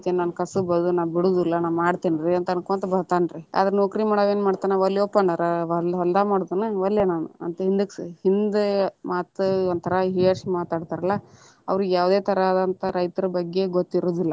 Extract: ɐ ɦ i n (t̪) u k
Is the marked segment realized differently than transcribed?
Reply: yes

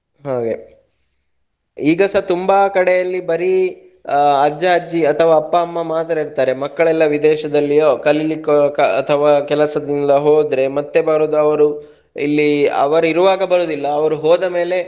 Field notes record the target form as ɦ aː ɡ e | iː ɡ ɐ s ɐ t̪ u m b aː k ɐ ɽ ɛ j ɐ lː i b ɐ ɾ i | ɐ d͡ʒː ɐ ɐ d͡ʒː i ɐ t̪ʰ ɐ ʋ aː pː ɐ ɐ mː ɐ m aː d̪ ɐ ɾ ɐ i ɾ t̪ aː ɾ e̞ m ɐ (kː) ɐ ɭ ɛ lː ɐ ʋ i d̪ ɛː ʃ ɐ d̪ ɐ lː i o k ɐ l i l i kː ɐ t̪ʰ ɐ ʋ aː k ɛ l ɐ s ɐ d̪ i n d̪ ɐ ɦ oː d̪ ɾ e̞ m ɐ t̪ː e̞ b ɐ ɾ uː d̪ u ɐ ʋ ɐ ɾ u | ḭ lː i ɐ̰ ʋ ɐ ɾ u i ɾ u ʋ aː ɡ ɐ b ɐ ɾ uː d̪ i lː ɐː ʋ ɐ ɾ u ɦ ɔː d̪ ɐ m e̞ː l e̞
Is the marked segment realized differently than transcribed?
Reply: no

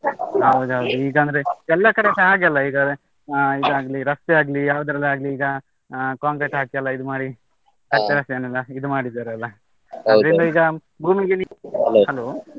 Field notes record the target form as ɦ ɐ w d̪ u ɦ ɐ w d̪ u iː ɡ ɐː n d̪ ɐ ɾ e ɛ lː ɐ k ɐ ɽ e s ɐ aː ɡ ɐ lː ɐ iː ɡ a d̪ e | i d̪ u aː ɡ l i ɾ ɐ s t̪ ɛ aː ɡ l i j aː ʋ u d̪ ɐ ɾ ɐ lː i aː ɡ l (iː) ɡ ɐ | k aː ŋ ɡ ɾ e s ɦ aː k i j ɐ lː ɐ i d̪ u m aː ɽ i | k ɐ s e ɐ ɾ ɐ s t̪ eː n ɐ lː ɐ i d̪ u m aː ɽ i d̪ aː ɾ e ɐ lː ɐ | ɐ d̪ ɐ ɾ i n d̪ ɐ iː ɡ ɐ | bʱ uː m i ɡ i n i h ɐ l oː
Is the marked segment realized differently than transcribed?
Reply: no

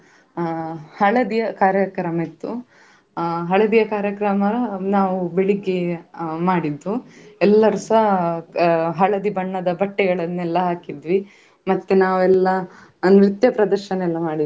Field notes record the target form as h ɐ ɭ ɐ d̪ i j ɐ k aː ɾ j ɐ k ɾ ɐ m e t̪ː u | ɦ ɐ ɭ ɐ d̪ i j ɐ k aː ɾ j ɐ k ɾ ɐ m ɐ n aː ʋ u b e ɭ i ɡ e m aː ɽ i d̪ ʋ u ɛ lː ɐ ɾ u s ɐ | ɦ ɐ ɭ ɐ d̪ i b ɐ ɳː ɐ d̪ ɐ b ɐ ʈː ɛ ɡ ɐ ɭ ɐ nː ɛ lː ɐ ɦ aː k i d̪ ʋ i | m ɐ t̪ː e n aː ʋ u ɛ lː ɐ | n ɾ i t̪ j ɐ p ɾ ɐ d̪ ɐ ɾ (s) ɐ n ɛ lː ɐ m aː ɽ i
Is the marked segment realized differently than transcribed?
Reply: yes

